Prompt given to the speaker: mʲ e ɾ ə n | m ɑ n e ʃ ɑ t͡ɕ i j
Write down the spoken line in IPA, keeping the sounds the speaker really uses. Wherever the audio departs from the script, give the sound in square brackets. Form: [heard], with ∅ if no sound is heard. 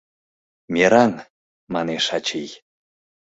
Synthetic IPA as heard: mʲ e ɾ [ɑ] n | m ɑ n e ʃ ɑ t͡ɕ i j